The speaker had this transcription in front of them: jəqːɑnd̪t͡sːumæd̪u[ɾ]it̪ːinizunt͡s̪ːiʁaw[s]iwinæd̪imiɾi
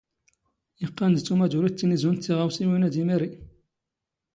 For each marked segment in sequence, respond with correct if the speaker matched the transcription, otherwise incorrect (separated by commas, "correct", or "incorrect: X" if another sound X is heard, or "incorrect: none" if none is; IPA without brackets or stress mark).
correct, correct